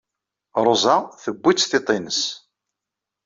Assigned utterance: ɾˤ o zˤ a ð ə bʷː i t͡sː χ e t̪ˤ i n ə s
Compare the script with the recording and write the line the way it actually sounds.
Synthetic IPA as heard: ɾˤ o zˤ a θ ə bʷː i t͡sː θ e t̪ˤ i n ə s